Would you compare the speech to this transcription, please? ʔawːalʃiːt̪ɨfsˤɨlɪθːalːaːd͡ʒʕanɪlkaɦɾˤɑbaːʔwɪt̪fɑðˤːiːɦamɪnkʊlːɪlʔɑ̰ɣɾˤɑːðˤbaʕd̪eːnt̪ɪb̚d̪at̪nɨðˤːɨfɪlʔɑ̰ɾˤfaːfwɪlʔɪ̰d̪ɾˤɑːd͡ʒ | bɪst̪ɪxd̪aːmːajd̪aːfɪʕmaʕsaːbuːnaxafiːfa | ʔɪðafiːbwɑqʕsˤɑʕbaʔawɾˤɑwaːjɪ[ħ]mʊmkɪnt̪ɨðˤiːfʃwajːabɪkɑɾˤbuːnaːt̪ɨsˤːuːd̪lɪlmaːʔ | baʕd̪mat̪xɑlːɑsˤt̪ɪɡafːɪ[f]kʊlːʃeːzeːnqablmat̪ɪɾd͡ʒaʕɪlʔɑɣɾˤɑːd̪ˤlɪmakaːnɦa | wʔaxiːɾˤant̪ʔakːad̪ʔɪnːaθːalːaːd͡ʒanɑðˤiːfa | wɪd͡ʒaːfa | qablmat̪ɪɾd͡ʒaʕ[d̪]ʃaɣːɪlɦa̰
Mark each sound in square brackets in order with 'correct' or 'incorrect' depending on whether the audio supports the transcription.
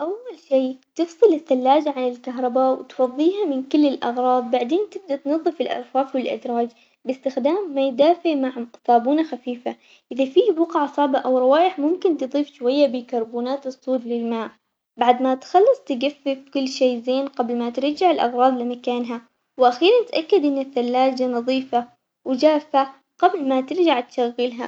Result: correct, correct, incorrect: t̪

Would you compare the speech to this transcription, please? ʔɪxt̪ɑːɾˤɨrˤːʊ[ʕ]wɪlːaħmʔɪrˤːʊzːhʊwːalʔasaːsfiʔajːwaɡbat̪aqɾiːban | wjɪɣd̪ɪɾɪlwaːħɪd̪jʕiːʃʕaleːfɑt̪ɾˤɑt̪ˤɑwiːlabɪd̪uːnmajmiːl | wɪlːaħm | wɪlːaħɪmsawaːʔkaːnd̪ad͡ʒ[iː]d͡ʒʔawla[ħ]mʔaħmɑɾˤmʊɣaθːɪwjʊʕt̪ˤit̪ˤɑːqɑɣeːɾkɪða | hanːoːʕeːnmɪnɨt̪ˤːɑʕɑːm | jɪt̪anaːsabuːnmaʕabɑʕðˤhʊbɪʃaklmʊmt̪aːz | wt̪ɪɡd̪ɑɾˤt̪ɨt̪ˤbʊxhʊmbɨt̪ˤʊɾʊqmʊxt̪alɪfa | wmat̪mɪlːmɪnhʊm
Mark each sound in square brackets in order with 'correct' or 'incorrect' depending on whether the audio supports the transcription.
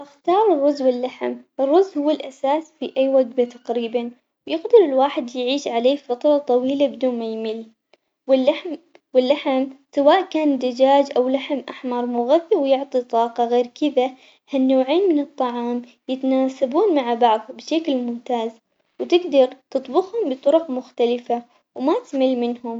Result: incorrect: z, incorrect: aː, correct

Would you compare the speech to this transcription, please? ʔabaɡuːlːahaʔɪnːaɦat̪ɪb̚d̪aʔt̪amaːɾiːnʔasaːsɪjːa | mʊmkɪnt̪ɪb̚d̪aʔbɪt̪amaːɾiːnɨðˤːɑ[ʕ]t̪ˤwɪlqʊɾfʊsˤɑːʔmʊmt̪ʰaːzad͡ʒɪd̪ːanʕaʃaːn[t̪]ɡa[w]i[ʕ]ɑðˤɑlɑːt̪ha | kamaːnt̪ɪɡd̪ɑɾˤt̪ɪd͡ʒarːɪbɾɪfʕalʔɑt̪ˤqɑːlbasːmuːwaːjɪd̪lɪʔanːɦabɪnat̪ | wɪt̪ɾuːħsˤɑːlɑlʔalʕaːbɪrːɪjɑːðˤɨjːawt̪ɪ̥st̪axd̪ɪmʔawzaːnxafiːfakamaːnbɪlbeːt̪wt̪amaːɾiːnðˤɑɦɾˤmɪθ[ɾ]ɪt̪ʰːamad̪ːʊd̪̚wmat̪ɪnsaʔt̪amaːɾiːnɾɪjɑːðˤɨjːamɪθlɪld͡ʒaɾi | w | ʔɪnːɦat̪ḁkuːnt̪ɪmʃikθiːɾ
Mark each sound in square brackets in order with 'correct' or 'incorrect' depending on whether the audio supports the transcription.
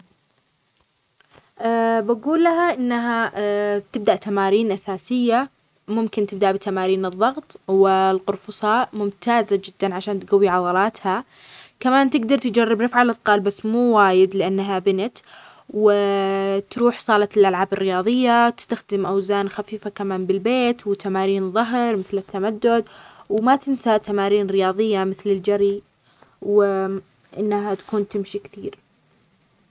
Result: incorrect: ɣ, correct, incorrect: wː, correct, incorrect: l

